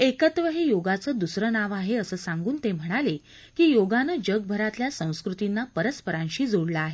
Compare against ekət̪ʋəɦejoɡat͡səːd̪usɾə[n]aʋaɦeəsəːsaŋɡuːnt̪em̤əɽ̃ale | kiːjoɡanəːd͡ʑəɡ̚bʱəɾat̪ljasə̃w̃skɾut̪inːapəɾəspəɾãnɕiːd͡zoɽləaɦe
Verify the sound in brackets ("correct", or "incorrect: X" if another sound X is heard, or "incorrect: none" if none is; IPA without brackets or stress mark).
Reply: correct